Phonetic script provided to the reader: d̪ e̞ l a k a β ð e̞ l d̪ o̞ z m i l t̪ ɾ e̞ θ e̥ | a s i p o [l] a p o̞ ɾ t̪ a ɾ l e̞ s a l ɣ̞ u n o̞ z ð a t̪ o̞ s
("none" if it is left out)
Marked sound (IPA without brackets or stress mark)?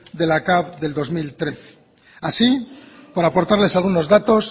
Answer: ɾ